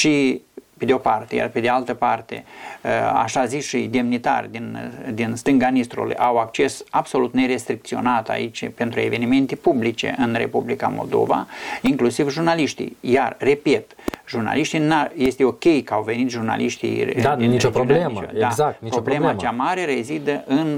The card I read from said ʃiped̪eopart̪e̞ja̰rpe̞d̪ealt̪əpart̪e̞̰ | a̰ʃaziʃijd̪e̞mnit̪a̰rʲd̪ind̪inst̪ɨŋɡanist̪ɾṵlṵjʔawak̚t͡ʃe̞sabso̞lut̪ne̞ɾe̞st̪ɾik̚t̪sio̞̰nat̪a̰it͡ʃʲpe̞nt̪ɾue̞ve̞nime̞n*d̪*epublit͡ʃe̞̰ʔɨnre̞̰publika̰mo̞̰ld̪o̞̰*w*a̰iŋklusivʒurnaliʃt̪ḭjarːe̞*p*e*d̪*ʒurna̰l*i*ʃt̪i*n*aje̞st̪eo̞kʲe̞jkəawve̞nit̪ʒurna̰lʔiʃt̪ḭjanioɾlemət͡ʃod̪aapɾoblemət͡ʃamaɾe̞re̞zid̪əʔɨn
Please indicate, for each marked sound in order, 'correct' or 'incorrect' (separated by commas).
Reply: incorrect, incorrect, correct, incorrect, correct, correct